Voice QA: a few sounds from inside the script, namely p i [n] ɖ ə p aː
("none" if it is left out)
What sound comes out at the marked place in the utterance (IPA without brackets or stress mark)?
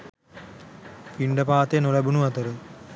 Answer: ɳ